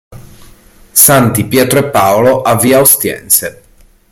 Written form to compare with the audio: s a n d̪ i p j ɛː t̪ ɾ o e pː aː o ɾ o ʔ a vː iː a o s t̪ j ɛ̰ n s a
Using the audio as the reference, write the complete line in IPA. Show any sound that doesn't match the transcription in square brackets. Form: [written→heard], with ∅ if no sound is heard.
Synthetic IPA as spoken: s a n [d̪→t̪] i p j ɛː t̪ ɾ o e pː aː o [ɾ→l] o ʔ a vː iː a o s t̪ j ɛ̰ n s [a→e]